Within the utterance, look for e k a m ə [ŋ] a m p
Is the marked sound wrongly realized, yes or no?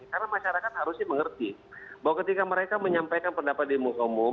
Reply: yes